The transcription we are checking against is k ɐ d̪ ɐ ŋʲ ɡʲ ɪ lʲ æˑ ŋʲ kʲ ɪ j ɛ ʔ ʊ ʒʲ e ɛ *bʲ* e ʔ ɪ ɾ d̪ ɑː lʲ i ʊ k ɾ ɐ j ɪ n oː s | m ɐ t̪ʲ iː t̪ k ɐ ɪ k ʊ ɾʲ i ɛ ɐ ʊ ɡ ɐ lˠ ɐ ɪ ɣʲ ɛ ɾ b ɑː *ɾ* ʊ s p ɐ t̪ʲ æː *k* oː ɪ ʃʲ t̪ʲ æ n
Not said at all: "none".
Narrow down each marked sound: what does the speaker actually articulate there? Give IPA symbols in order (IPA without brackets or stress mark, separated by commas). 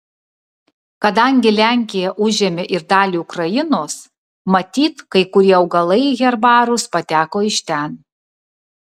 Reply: mʲ, ɾ, k